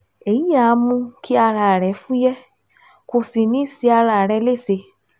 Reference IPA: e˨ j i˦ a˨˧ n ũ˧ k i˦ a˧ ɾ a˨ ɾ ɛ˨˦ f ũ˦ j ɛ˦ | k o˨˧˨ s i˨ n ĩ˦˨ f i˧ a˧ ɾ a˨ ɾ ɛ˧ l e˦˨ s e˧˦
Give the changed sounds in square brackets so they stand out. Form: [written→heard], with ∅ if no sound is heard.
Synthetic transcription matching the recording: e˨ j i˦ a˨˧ [n→m] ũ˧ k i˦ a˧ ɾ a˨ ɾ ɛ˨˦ f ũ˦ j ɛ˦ | k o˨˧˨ s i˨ n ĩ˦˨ [f→s] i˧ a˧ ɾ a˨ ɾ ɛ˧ l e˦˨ s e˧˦